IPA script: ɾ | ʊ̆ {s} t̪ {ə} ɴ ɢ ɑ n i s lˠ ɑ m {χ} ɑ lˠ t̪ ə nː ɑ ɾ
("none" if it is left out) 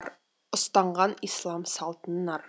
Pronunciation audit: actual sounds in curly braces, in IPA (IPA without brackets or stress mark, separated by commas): s, ɑ, s